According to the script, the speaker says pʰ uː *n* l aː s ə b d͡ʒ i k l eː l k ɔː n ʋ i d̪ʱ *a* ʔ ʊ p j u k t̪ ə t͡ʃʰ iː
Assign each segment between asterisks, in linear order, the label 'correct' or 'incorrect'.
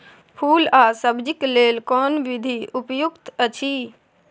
incorrect: none, incorrect: i

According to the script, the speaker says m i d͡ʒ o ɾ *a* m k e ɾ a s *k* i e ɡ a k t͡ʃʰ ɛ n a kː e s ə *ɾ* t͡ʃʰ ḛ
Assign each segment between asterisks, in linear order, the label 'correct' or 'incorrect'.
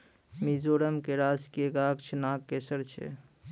incorrect: ə, correct, correct

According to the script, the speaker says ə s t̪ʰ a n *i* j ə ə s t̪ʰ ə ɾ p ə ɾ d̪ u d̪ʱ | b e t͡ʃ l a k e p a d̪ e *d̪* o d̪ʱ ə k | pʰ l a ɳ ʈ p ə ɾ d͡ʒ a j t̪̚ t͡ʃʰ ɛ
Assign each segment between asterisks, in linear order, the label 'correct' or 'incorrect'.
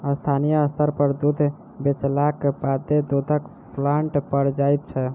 correct, correct

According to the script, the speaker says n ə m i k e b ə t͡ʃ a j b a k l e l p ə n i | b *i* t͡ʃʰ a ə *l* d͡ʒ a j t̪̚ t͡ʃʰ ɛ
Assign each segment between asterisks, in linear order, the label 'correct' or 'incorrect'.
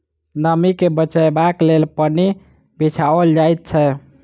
correct, correct

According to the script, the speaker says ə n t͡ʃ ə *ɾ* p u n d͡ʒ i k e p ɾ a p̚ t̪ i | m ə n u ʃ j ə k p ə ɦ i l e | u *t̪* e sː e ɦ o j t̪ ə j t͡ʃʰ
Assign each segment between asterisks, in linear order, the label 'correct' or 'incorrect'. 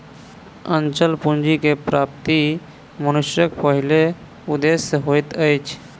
incorrect: l, incorrect: d̪

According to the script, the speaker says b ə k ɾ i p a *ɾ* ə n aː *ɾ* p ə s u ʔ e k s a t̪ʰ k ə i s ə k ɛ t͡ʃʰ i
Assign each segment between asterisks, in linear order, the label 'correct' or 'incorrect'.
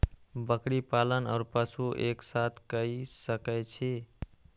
incorrect: l, correct

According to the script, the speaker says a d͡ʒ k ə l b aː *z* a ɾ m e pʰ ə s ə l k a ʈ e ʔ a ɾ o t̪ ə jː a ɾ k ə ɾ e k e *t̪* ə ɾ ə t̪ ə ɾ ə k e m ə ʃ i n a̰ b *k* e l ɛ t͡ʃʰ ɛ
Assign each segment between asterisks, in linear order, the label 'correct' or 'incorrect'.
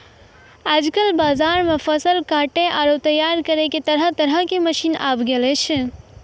correct, correct, incorrect: ɡ

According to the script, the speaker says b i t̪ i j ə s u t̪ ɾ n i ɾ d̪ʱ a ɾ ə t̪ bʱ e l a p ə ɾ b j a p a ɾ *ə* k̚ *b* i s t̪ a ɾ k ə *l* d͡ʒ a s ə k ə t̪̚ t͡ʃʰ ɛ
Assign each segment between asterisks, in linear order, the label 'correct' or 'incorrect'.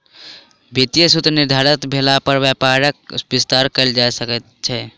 correct, correct, correct

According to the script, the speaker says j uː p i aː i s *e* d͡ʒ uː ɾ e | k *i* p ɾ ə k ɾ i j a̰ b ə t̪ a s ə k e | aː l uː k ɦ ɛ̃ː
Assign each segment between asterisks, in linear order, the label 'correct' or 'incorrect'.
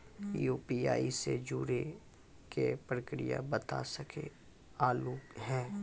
correct, incorrect: e

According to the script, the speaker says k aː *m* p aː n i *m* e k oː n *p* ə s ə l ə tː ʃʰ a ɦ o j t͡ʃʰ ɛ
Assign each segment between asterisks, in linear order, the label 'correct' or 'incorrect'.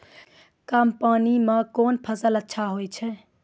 correct, correct, incorrect: pʰ

